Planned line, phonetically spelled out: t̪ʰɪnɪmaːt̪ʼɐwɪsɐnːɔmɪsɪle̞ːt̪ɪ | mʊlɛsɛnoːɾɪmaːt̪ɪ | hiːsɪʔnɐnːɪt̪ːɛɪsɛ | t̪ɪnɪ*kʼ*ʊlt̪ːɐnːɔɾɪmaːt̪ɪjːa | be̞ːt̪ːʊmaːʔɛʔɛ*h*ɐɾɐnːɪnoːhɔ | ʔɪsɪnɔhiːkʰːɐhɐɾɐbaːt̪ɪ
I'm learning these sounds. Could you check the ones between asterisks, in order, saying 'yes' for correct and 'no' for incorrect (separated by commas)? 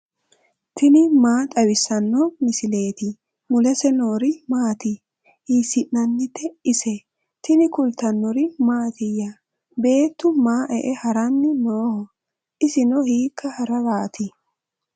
no, yes